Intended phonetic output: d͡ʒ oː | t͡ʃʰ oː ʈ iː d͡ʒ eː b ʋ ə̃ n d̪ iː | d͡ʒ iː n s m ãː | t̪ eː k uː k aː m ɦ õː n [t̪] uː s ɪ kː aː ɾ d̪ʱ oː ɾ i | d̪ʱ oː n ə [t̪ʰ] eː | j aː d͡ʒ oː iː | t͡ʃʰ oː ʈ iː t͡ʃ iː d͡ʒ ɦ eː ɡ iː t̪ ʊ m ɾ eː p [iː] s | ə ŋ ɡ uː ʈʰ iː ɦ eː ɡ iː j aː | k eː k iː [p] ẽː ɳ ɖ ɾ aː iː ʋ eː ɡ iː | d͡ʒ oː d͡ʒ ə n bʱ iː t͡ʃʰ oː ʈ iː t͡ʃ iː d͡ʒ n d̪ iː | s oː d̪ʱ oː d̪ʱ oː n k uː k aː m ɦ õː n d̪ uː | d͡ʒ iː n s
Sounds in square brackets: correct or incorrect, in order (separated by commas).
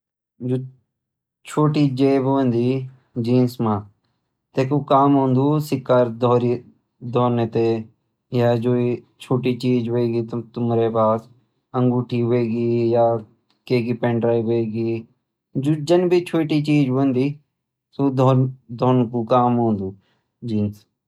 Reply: incorrect, incorrect, incorrect, correct